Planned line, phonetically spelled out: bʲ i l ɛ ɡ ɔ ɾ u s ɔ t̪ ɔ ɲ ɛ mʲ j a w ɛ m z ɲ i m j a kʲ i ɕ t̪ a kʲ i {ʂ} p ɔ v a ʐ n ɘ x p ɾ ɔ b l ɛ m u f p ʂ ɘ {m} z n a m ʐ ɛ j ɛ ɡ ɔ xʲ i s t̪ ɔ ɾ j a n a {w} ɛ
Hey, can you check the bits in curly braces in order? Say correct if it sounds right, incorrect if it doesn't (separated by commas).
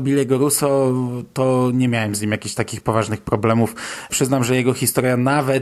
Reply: incorrect, incorrect, incorrect